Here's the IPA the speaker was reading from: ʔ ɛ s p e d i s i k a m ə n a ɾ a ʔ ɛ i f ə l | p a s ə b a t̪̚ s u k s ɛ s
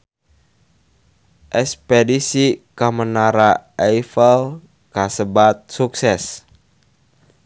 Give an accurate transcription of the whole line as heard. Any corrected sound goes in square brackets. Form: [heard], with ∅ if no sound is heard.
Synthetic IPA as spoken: ʔ ɛ s p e d i s i k a m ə n a ɾ a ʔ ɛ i f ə l | [k] a s ə b a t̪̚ s u k s ɛ s